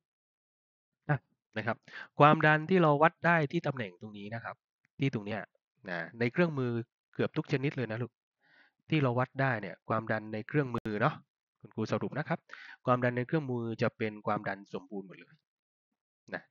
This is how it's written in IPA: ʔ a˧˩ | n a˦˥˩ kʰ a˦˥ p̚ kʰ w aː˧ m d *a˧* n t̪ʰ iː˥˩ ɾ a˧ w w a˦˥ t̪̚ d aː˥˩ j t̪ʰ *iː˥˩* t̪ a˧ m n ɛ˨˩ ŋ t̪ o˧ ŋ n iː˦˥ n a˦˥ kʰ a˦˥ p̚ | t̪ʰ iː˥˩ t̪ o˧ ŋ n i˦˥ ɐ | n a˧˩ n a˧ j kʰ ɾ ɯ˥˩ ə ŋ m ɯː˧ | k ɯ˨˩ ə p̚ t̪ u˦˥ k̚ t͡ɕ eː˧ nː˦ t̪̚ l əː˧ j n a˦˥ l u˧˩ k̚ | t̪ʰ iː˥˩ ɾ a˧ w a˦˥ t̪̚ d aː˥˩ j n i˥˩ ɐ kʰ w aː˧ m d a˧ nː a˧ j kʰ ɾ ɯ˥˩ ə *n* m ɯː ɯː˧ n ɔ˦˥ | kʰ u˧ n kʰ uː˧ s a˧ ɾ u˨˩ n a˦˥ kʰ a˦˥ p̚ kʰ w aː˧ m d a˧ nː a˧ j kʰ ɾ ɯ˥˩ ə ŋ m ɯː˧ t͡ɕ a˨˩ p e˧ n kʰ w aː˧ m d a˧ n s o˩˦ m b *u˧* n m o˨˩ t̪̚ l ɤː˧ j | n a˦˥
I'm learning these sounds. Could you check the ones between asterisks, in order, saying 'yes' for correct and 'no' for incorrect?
yes, yes, no, no

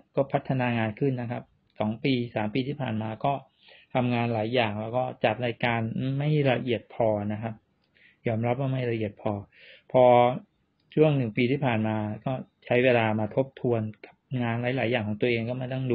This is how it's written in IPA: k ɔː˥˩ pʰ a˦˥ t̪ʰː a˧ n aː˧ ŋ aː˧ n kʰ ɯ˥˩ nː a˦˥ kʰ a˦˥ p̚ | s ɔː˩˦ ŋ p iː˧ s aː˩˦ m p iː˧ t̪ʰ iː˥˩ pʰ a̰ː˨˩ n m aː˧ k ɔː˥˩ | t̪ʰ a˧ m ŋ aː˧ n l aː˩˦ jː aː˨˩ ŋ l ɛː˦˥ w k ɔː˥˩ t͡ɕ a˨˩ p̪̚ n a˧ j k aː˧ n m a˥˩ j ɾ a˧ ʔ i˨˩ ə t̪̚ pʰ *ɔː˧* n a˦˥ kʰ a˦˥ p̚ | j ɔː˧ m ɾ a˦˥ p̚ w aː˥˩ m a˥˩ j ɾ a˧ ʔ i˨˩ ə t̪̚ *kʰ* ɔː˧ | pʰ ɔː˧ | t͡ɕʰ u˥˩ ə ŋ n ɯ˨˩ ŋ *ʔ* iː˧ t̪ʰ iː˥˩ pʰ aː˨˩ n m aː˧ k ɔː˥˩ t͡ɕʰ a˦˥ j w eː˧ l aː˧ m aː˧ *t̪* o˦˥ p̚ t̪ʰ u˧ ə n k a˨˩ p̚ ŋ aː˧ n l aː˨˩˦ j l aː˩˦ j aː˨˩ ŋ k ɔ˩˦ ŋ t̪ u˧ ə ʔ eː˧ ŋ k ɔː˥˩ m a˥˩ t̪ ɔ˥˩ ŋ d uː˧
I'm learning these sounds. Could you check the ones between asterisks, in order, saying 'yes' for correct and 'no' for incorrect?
yes, no, no, no

